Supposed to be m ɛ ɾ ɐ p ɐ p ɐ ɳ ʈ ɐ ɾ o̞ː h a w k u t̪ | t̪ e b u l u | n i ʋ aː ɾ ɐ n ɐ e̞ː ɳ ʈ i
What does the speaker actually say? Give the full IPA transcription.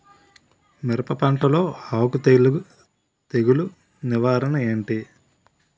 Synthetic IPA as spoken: m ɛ ɾ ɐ p ɐ p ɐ ɳ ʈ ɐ l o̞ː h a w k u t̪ | t̪ e ɡ u l u | n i ʋ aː ɾ ɐ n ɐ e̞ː ɳ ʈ i